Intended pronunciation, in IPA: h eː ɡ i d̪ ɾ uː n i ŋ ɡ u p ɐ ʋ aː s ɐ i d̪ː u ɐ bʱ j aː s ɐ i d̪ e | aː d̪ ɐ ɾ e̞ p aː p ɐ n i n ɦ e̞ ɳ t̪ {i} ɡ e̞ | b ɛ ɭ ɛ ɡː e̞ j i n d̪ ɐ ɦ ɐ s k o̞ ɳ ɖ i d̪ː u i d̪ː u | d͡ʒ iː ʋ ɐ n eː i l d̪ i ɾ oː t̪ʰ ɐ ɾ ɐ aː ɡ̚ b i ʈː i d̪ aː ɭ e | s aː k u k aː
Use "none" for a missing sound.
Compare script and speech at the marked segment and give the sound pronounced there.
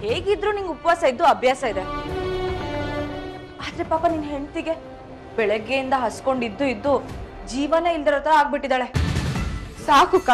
i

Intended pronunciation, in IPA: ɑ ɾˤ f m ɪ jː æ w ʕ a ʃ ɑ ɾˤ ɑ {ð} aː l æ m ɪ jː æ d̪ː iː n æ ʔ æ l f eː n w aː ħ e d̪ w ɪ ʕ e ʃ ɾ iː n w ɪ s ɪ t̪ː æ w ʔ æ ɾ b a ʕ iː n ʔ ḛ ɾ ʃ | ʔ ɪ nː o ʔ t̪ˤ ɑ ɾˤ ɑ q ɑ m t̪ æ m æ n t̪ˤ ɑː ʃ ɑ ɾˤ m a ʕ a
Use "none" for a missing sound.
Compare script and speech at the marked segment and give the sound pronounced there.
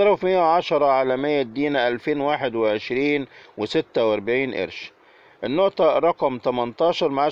ʕ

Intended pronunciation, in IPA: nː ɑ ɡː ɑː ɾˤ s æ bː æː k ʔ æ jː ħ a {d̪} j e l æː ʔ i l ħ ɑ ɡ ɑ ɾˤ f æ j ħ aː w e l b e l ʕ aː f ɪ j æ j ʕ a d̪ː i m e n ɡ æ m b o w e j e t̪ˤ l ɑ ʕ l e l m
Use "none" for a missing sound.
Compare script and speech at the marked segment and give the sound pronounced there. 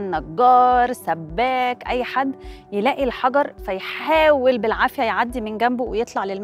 d̪ː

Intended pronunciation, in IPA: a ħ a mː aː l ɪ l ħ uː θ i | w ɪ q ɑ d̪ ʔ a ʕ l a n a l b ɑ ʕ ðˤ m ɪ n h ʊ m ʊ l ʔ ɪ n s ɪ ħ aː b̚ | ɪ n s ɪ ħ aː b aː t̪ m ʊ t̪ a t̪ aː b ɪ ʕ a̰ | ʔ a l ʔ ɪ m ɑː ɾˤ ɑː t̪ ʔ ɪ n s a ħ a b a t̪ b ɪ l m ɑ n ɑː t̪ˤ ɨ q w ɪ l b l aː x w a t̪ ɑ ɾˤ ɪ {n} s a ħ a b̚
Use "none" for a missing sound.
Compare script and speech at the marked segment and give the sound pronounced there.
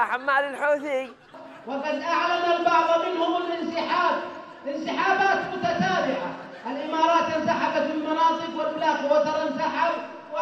n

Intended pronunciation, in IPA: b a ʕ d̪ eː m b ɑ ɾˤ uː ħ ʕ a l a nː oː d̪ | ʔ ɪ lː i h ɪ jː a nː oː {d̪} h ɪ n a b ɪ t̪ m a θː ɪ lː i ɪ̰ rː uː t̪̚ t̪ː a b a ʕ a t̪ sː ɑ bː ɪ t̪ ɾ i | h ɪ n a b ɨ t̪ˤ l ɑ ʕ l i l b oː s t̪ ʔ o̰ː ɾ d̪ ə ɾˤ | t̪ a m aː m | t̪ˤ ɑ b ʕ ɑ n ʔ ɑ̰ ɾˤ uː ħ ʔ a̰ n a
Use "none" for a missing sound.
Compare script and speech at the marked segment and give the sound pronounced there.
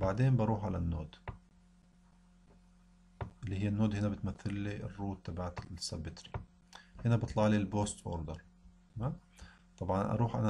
d̪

